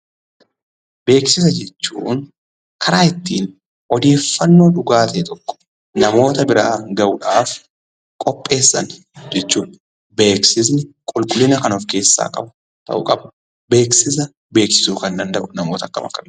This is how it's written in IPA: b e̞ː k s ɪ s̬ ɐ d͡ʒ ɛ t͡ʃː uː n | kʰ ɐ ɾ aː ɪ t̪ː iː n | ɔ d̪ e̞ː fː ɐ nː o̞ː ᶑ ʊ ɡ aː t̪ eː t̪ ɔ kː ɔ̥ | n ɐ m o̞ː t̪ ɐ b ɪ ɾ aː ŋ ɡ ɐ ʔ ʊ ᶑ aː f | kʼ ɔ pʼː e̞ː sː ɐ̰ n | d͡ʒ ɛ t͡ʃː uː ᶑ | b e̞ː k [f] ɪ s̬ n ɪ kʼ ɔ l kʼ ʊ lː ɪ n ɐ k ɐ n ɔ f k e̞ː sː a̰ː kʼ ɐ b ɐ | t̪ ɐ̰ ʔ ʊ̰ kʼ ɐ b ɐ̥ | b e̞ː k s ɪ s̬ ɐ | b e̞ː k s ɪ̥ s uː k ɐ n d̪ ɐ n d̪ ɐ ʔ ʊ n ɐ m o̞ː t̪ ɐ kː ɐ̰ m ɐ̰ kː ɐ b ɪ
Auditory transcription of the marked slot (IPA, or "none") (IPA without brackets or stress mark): s